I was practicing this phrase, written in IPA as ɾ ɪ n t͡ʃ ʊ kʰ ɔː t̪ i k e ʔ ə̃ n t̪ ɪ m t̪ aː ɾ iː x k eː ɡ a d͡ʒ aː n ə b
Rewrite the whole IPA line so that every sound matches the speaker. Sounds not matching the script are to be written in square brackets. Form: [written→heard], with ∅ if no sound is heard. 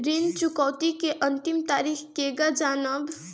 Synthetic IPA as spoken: ɾ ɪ n t͡ʃ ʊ [kʰ→k] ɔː t̪ i k e ʔ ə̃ n t̪ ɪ m t̪ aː ɾ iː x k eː ɡ a d͡ʒ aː n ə b